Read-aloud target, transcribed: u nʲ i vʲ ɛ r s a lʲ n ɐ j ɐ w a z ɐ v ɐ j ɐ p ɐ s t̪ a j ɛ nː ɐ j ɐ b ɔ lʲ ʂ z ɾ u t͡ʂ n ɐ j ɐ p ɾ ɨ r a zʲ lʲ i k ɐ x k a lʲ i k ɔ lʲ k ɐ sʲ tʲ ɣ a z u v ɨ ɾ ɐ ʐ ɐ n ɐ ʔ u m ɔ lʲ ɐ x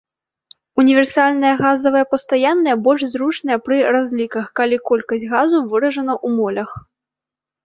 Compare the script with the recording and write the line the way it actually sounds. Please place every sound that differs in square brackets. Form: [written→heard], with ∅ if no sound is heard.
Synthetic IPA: u nʲ i vʲ ɛ r s a lʲ n ɐ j ɐ [w→ɣ] a z ɐ v ɐ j ɐ p ɐ s t̪ a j [ɛ→a] nː ɐ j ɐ b ɔ lʲ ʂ z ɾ u t͡ʂ n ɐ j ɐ p ɾ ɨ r a zʲ lʲ i k ɐ x k a lʲ i k ɔ lʲ k ɐ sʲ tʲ ɣ a z u v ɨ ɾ ɐ ʐ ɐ n ɐ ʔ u m ɔ lʲ ɐ x